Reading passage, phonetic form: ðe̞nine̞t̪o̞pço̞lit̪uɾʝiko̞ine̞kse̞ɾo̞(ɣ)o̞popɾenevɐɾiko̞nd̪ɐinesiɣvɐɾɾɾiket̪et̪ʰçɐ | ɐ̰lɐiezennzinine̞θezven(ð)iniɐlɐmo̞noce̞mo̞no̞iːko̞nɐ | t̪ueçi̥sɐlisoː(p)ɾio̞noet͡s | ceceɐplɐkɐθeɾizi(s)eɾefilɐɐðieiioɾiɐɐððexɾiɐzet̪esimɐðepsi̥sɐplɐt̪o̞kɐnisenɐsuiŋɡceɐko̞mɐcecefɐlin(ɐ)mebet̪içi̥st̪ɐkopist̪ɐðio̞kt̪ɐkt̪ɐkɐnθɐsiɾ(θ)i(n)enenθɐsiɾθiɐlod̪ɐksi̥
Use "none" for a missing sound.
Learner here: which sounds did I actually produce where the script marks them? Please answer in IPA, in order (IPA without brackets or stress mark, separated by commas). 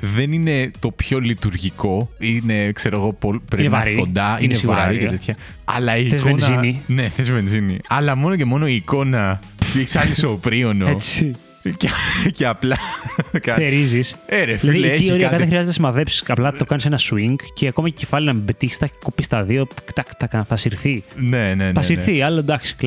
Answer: ɣ, z, p, s, ɐ, θ, n